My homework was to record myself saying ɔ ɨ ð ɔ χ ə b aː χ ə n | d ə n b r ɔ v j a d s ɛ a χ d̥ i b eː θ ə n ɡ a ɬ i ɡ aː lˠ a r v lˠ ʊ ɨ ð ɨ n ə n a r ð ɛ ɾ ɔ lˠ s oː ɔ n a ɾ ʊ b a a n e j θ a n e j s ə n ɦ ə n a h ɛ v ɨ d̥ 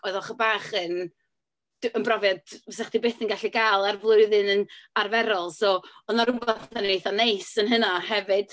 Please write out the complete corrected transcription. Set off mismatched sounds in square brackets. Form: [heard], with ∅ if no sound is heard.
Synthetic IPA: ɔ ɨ ð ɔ χ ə b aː χ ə n | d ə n b r ɔ v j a d s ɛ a χ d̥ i b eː θ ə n ɡ a ɬ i ɡ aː lˠ a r v lˠ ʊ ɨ ð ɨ n ə n a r [v] ɛ ɾ ɔ lˠ s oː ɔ n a ɾ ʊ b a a n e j θ a n e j s ə n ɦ ə n a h ɛ v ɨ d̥